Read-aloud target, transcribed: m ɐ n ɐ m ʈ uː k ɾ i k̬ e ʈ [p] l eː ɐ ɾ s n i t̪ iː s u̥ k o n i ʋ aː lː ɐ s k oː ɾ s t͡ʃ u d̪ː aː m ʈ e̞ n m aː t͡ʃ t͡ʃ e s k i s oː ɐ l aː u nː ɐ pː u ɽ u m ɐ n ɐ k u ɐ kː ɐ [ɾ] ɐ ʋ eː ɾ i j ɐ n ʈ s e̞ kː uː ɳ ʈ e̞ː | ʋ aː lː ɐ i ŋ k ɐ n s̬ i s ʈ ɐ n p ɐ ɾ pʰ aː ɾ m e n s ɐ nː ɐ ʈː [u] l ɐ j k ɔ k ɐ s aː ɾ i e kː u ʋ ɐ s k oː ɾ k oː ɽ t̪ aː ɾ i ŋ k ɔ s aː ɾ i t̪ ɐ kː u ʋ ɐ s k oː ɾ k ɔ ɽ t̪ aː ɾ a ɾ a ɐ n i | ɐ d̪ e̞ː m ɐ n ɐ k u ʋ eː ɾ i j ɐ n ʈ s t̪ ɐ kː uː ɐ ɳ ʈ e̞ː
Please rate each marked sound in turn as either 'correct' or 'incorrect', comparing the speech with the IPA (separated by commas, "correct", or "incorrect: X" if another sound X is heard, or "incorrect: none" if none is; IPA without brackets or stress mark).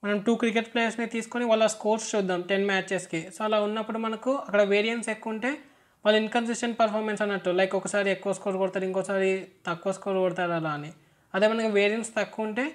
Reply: correct, incorrect: ɽ, correct